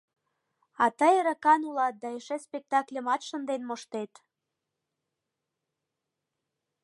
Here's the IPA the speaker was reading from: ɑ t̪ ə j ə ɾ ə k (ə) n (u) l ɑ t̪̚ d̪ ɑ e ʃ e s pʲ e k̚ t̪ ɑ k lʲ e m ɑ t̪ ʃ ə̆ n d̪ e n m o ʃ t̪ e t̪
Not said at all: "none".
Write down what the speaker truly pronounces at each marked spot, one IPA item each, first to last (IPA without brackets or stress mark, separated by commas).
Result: ɑ, u